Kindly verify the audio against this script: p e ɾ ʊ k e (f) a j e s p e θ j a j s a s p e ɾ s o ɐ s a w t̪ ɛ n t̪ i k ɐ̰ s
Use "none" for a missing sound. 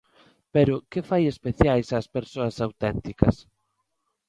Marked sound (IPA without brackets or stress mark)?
f